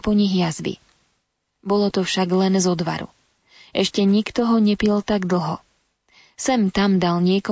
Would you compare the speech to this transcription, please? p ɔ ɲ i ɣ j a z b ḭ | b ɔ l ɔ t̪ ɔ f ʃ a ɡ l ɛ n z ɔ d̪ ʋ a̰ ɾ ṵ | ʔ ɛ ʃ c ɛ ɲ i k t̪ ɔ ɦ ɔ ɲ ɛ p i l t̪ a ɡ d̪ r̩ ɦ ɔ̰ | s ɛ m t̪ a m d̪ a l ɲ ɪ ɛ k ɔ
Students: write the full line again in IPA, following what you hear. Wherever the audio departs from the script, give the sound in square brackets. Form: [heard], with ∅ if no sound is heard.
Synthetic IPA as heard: p ɔ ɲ i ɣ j a z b ḭ | b ɔ l ɔ t̪ ɔ f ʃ a ɡ l ɛ n z ɔ d̪ ʋ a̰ ɾ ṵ | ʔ ɛ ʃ c ɛ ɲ i k t̪ ɔ ɦ ɔ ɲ ɛ p i l t̪ a ɡ d̪ [l̩] ɦ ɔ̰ | s ɛ m t̪ a m d̪ a l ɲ ɪ ɛ k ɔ